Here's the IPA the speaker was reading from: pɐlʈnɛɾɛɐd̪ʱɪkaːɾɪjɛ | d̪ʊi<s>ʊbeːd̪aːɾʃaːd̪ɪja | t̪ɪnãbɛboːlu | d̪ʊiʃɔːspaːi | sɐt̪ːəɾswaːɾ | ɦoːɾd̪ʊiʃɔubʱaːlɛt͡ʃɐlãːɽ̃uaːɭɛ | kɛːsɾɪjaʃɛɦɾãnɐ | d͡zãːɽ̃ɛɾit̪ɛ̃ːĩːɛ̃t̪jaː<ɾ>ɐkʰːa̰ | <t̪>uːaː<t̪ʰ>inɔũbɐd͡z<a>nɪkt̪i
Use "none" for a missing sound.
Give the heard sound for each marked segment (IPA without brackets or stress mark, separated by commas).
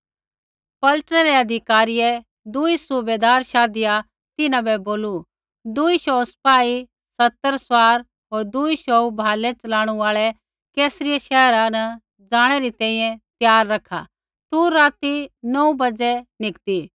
s, ɾː, t̪, t̪, ɛ